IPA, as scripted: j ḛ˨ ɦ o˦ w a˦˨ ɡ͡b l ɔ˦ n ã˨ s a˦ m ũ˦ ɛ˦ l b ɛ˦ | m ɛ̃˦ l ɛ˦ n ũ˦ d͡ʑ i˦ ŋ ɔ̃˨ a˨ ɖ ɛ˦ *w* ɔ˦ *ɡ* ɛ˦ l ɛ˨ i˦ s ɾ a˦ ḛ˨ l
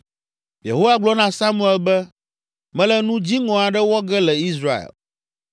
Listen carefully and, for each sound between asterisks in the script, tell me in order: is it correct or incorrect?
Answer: correct, correct

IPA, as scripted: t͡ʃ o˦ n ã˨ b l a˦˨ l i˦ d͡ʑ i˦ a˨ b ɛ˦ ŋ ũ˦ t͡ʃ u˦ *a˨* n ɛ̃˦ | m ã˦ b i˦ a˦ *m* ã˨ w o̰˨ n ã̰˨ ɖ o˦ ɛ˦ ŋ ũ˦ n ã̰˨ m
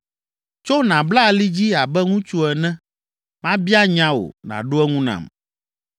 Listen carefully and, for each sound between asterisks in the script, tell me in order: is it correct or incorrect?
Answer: incorrect: ɛ˨, incorrect: ɲ

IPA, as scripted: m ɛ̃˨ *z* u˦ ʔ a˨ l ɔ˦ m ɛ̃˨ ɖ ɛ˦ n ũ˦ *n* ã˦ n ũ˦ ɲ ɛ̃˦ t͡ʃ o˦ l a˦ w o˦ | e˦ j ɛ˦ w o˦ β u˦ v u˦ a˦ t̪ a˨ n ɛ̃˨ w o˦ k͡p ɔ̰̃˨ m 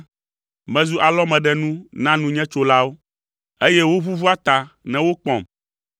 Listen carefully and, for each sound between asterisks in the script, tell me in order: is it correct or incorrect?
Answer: correct, correct

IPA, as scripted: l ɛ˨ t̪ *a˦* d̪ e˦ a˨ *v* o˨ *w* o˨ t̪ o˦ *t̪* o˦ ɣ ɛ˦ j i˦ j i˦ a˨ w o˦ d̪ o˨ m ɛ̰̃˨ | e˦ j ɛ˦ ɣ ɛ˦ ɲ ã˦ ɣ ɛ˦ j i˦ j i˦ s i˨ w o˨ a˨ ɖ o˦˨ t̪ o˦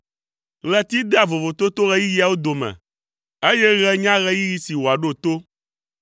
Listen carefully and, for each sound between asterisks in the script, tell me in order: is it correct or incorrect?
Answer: incorrect: i˦, correct, incorrect: v, correct

